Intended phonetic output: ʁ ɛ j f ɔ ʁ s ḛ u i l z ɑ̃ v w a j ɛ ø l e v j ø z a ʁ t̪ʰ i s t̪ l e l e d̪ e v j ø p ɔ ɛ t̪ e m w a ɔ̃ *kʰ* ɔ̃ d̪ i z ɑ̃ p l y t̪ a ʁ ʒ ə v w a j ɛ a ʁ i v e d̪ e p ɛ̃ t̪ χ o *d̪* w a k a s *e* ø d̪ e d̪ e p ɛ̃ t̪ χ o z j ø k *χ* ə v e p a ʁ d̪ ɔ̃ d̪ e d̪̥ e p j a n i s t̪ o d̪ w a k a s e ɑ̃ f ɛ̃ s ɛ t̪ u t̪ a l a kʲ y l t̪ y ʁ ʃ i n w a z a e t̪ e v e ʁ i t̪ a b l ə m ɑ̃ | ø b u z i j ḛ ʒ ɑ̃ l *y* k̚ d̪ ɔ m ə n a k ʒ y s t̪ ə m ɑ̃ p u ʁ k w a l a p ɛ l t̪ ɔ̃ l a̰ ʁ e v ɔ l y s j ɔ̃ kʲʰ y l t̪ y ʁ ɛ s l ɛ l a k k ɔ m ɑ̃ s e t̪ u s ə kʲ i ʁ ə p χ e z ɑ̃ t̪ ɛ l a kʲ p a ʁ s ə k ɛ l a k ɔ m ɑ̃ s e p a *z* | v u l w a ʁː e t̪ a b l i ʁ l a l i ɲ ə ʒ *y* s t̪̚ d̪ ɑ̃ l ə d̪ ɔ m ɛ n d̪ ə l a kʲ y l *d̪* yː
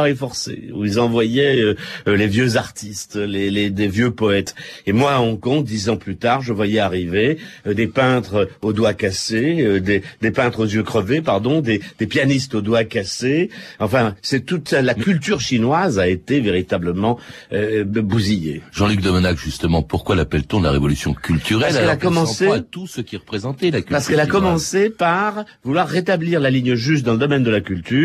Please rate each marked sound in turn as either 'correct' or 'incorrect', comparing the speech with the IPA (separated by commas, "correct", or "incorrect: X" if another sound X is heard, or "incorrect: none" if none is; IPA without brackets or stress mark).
incorrect: k, correct, correct, correct, correct, incorrect: ʁ, correct, incorrect: t̪